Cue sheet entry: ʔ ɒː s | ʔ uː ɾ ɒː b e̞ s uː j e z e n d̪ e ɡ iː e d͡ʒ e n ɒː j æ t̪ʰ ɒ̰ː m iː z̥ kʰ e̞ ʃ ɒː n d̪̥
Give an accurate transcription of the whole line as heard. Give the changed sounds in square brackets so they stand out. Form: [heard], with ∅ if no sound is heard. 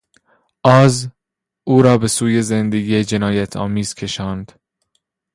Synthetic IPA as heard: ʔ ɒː [z] | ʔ uː ɾ ɒː b e̞ s uː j e z e n d̪ e ɡ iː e d͡ʒ e n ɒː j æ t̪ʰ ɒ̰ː m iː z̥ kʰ e̞ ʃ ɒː n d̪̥